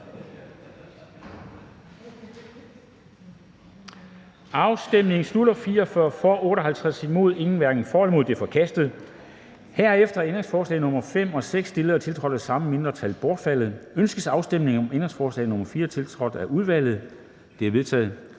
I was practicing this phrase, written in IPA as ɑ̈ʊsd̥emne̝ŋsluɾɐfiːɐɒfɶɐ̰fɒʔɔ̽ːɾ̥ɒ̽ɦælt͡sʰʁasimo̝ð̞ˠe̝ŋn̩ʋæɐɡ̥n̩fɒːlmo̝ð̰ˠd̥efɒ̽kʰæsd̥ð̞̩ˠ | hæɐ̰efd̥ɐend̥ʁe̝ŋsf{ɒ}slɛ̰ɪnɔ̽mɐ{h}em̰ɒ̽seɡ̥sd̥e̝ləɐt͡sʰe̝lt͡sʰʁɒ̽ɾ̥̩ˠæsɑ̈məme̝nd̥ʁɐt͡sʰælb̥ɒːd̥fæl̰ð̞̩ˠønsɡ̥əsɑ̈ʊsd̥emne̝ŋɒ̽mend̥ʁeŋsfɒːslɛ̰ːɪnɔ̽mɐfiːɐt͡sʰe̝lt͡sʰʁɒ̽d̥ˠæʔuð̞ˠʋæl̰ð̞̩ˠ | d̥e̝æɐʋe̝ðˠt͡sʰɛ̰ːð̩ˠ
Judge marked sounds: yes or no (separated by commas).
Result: no, no